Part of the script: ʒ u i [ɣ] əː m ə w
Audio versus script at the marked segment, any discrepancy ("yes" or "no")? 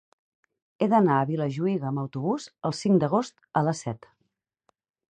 no